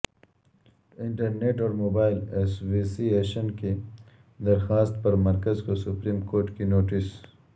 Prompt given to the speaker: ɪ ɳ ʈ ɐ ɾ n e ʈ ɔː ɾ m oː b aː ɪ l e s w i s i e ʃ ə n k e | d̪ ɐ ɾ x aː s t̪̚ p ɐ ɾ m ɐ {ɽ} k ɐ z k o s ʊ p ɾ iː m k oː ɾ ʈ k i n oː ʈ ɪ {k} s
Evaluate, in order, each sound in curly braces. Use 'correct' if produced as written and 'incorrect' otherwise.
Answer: incorrect: ɾ, incorrect: none

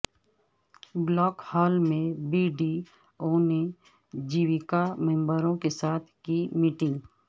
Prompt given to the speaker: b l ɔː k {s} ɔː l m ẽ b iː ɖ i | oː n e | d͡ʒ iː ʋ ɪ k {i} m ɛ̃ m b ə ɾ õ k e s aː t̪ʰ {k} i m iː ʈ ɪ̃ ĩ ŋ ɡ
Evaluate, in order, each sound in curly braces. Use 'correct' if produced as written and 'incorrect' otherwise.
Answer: incorrect: h, incorrect: a, correct

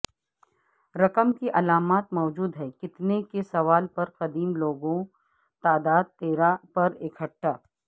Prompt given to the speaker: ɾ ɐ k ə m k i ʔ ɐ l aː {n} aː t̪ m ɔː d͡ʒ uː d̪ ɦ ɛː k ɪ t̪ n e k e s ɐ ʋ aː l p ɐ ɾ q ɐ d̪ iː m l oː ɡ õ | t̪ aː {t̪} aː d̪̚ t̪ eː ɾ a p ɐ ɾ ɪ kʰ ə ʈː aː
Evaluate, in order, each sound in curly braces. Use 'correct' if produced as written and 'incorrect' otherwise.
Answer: incorrect: m, incorrect: d̪

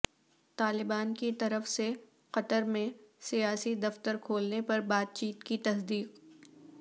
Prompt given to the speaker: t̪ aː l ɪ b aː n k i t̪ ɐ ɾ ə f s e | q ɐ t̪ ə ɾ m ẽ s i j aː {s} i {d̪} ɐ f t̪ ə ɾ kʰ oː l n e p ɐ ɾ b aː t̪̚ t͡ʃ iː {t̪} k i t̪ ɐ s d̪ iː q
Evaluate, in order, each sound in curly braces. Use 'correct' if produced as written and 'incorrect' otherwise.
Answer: correct, correct, correct

